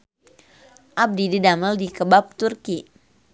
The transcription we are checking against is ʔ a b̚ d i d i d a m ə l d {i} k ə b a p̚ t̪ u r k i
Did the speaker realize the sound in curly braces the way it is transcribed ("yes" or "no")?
yes